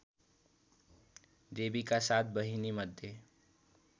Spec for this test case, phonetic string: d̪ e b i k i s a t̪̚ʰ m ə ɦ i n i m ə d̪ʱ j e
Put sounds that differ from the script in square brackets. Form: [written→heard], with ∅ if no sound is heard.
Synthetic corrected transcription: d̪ e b i k [i→a] s a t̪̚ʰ [m→b] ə ɦ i n i m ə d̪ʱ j e